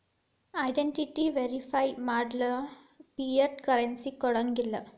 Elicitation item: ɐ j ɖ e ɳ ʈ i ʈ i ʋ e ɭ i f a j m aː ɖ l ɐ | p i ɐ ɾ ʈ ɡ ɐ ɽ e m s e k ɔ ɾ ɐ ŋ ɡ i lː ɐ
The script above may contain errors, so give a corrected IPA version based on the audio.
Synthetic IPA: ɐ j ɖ e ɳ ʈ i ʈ i ʋ e ɾ i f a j m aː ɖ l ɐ | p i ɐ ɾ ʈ k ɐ ɾ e n s i k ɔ ɽ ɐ ŋ ɡ i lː ɐ